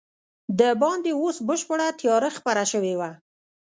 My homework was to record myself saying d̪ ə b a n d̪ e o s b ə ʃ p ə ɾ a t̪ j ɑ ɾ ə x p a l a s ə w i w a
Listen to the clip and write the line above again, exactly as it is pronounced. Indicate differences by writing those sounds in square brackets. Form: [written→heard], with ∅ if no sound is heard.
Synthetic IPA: d̪ ə b [a→ɑ] n d̪ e o s b ə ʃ p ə [ɾ→ɽ] a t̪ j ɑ ɾ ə x p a [l→ɾ] a [s→ʃ] ə w [i→e] w a